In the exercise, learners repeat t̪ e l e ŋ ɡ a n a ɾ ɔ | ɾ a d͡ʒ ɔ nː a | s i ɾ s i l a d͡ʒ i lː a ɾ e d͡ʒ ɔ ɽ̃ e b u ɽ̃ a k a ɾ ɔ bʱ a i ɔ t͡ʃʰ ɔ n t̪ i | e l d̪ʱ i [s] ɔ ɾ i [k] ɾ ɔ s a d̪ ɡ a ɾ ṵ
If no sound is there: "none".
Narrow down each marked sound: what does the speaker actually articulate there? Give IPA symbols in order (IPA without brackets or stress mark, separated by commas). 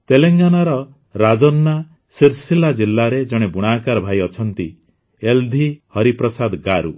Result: h, p